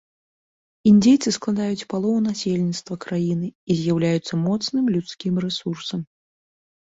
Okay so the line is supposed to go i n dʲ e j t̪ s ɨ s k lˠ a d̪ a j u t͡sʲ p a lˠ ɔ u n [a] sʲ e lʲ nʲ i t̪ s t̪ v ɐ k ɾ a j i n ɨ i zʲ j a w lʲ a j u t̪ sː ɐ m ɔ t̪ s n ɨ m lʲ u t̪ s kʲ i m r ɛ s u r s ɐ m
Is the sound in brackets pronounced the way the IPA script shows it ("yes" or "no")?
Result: yes